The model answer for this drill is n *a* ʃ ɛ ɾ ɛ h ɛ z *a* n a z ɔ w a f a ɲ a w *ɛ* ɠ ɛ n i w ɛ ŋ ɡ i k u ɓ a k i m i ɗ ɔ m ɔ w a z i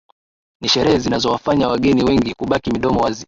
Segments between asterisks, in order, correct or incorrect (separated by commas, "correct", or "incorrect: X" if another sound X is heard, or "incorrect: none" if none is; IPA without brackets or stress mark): incorrect: i, incorrect: i, incorrect: a